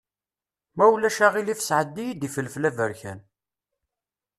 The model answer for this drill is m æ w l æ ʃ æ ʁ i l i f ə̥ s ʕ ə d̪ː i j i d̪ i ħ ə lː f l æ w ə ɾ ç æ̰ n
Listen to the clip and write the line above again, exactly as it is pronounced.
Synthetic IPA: m æ w l æ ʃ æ ʁ i l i f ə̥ s ʕ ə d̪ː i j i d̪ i f ə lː f l æ v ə ɾ ç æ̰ n